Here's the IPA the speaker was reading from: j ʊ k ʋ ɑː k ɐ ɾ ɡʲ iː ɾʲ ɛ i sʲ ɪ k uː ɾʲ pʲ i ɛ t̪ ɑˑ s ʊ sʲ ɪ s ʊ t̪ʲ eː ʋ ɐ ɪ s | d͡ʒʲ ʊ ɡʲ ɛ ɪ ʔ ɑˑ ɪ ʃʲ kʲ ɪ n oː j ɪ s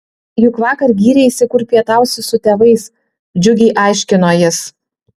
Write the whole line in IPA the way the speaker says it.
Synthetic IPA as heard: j ʊ k ʋ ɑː k ɐ ɾ ɡʲ iː ɾʲ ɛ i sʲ ɪ k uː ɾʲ pʲ i ɛ t̪ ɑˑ ʊ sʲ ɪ s ʊ t̪ʲ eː ʋ ɐ ɪ s | d͡ʒʲ ʊ ɡʲ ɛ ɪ ʔ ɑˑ ɪ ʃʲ kʲ ɪ n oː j ɪ s